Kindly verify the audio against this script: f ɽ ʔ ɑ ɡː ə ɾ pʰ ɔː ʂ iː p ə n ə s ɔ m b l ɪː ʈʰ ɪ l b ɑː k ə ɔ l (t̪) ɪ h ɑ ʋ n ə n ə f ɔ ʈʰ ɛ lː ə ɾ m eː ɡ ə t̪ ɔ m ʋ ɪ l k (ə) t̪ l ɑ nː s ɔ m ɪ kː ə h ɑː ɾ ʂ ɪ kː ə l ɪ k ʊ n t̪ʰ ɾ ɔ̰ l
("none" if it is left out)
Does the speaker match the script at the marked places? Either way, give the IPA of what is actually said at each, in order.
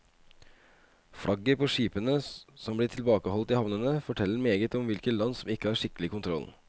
t̪, ə

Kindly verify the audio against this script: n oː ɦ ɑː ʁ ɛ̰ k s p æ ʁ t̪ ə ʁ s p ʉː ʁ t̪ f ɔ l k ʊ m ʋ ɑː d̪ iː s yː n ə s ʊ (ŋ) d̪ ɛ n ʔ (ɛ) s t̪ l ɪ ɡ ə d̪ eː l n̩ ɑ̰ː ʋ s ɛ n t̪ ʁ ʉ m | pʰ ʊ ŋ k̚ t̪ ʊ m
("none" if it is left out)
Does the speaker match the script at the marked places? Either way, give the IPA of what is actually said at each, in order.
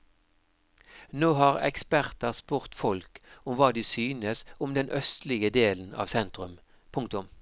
m, œ

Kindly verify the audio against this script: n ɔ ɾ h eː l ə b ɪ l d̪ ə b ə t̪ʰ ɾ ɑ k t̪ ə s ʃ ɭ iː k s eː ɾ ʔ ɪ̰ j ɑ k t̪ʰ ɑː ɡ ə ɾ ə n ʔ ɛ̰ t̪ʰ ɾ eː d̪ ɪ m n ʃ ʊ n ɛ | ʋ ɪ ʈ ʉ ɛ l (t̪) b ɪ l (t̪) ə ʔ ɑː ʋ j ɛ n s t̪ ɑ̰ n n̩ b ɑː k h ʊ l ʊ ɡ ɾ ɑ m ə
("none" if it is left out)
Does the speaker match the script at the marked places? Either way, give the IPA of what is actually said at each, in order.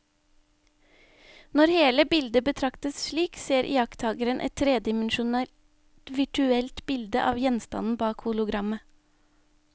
t̪, d̪

